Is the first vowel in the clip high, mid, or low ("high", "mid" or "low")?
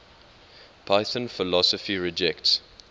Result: low